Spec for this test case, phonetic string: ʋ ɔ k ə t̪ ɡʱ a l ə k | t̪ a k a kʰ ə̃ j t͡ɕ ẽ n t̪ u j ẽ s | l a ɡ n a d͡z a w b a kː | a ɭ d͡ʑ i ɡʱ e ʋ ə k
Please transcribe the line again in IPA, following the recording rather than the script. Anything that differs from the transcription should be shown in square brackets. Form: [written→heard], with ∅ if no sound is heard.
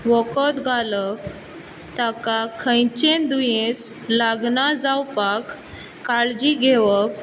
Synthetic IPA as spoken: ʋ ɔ k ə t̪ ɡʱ a l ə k | t̪ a k a kʰ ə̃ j t͡ɕ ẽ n [t̪→d̪] u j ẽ s | l a ɡ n a d͡z a w [b→p] a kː | a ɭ d͡ʑ i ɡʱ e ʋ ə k